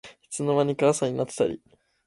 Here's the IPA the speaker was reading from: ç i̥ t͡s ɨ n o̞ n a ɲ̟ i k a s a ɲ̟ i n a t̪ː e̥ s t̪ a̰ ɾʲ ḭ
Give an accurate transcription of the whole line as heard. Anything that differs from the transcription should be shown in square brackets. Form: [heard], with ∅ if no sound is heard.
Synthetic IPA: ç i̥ t͡s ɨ n o̞ [m] a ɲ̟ i k a s a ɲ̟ i n a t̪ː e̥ [∅] t̪ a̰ ɾʲ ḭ